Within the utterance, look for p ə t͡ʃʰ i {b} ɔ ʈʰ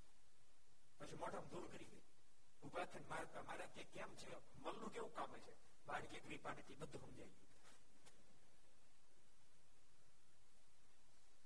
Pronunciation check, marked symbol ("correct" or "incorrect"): incorrect